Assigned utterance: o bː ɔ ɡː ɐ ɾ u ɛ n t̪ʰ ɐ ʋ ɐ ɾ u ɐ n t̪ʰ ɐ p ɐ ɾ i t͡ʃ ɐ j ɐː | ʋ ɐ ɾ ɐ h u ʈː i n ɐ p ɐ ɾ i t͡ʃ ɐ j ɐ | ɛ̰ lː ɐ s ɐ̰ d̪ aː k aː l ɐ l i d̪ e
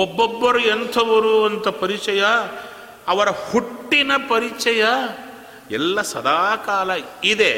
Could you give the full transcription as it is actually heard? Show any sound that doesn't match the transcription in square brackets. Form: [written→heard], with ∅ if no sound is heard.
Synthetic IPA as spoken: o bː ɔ [ɡː→bː] ɐ ɾ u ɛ n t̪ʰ ɐ ʋ ɐ ɾ u ɐ n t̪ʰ ɐ p ɐ ɾ i t͡ʃ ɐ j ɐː | ʋ ɐ ɾ ɐ h u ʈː i n ɐ p ɐ ɾ i t͡ʃ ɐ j ɐ | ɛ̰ lː ɐ s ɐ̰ d̪ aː k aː l ɐ [l→∅] i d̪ e